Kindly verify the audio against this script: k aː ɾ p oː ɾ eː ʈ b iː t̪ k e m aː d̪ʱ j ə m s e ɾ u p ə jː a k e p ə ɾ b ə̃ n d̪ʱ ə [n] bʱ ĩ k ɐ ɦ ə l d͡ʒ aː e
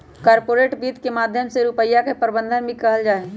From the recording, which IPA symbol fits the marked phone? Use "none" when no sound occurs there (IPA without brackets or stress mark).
n